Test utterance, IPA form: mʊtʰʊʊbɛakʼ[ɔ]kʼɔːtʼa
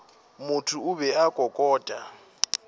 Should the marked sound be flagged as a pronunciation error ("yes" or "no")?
no